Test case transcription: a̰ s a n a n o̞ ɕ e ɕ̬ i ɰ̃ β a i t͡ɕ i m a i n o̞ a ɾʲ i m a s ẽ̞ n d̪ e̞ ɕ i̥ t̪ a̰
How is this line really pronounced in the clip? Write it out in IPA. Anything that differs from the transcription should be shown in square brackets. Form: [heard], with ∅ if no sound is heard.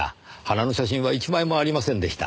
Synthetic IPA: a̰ [h] a n a n o̞ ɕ [a] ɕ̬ [ĩ] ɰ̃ β a i t͡ɕ i m a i [m] o̞ a ɾʲ i m a s ẽ̞ n d̪ e̞ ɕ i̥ t̪ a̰